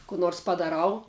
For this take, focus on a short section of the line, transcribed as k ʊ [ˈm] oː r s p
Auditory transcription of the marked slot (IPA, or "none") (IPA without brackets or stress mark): n